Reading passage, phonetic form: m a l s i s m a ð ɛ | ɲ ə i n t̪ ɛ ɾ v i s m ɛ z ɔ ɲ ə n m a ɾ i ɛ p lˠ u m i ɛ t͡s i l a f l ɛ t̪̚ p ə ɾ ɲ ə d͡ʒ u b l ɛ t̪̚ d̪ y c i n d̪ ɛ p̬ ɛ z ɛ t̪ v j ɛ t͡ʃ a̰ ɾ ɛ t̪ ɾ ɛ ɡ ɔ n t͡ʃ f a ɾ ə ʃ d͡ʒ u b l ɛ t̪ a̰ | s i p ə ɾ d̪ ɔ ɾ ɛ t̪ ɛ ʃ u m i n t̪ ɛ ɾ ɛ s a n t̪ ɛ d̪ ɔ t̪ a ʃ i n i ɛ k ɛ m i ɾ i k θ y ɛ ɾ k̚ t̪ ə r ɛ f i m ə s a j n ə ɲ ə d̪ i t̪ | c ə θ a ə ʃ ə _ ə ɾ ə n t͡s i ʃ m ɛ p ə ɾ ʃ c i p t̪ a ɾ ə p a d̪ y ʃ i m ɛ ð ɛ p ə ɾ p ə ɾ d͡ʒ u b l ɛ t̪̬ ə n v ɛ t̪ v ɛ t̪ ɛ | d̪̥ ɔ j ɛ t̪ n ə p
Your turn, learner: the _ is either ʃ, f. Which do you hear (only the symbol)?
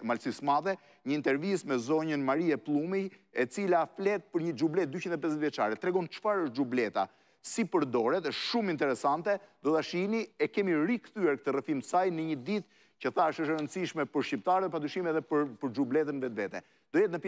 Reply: ʃ